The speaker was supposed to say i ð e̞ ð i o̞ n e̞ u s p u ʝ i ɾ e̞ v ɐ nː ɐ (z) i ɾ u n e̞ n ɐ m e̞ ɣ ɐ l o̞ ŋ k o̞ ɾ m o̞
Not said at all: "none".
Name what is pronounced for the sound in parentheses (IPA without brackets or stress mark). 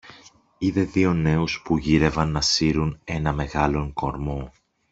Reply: s